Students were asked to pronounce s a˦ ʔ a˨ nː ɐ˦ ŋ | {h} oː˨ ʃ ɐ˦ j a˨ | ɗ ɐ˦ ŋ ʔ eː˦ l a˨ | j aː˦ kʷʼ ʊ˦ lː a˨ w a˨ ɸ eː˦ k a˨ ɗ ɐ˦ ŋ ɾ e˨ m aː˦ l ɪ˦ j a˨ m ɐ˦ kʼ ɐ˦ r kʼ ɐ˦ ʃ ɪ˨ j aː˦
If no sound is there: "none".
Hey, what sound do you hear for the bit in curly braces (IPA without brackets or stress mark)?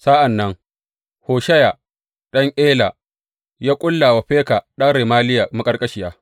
h